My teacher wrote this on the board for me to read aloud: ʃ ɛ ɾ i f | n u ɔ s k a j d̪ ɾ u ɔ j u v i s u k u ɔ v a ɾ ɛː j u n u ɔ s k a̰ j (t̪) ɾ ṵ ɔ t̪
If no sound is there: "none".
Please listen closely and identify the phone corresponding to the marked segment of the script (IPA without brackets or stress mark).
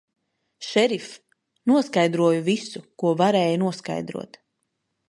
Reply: d̪